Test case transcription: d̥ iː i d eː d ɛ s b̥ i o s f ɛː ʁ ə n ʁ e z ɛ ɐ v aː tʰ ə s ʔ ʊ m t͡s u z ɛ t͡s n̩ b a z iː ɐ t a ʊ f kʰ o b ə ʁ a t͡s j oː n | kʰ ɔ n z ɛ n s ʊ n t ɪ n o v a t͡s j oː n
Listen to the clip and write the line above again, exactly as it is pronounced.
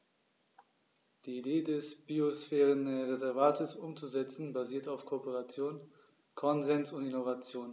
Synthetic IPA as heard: d̥ iː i d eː d ɛ s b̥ i o s f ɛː ʁ ə n ʁ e z ɛ ɐ v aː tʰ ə s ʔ ʊ m t͡s u z ɛ t͡s n̩ b a z iː ɐ t a ʊ f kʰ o p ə ʁ a t͡s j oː n | kʰ ɔ n z ɛ n s ʊ n t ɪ n o v a t͡s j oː n